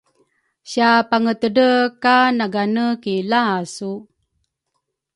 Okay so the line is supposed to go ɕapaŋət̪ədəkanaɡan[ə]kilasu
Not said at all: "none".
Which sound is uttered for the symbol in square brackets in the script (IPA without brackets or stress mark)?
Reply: ə